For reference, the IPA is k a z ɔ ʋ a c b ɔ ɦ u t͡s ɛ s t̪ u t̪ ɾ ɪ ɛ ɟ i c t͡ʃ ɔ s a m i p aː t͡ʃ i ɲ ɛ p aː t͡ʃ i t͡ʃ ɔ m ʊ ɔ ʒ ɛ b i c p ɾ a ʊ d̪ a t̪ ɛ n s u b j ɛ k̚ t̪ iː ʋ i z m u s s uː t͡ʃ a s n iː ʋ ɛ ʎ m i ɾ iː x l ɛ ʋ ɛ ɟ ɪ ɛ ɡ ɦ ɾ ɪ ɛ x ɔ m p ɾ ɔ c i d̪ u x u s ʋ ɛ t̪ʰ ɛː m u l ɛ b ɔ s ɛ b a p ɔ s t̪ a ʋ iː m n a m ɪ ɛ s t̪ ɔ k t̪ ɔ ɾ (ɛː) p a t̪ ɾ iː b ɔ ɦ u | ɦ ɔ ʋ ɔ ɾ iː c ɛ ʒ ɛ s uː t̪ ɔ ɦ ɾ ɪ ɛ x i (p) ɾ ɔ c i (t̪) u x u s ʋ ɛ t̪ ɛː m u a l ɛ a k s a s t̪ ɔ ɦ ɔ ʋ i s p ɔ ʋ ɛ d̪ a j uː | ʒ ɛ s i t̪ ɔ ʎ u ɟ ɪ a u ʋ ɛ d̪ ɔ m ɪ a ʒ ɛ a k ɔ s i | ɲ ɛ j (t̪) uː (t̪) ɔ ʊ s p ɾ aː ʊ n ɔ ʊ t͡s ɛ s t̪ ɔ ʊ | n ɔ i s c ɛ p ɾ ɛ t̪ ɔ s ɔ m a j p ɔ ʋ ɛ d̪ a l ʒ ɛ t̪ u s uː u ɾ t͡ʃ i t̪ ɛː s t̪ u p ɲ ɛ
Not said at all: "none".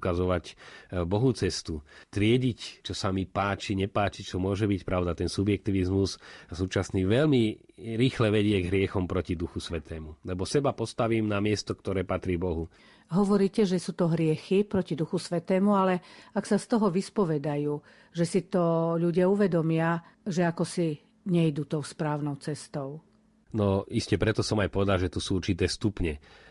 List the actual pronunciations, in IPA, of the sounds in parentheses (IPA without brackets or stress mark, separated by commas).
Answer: ɛː, p, d̪, d̪, t̪